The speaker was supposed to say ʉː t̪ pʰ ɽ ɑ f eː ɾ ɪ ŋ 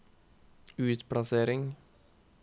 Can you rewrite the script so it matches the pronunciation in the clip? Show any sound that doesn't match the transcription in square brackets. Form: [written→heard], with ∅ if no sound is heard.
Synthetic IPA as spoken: ʉː t̪ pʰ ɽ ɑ [f→s] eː ɾ ɪ ŋ